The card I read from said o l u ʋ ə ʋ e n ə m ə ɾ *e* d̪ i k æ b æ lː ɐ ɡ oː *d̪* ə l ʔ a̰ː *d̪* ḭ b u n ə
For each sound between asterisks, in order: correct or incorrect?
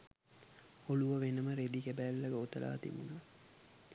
correct, incorrect: t̪, incorrect: t̪

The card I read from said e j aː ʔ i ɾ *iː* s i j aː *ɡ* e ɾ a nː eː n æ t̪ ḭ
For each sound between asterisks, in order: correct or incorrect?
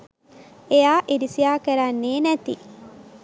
incorrect: i, incorrect: k

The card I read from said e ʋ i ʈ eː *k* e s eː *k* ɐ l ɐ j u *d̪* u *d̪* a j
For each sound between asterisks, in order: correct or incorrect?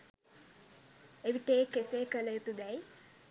correct, correct, incorrect: t̪, correct

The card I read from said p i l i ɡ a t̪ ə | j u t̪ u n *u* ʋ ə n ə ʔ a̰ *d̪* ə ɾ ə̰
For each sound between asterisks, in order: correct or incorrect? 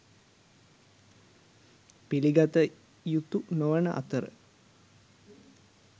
incorrect: o, incorrect: t̪

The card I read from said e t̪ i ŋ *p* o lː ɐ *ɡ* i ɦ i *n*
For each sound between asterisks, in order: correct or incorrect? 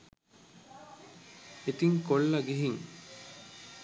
incorrect: k, correct, incorrect: ŋ

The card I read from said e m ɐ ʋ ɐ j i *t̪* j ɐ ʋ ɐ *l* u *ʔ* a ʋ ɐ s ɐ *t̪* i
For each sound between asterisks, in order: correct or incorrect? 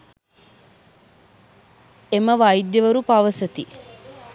incorrect: d̪, incorrect: ɾ, incorrect: p, correct

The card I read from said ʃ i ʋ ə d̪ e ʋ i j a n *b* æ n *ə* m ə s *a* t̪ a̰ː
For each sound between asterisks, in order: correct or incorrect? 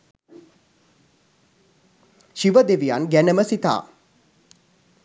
incorrect: ɡ, correct, incorrect: i

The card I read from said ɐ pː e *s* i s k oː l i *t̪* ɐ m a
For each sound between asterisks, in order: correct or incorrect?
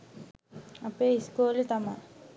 incorrect: none, correct

